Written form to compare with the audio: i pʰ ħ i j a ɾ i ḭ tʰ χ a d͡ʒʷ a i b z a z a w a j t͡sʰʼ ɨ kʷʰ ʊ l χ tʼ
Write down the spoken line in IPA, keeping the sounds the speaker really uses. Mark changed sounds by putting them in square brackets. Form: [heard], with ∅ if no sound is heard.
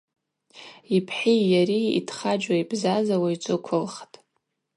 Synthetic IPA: i pʰ ħ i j a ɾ i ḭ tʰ χ a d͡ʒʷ a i b z a z a w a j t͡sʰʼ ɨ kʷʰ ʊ l χ tʼ